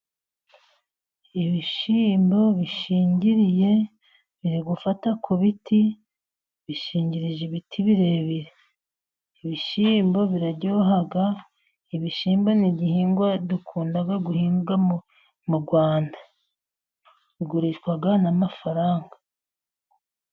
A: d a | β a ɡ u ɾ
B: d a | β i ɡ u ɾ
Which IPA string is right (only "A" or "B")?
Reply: B